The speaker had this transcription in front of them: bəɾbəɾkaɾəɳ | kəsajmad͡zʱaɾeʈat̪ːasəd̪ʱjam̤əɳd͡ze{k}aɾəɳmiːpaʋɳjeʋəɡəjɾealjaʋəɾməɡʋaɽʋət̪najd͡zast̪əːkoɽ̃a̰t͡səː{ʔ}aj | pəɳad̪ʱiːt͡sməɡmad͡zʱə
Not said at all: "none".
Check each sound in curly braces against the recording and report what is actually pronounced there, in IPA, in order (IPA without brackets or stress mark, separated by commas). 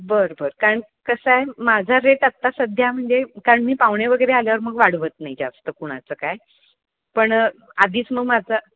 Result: k, k